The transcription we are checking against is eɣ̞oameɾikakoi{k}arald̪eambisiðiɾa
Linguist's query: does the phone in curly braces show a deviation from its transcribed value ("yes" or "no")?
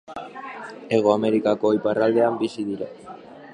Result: yes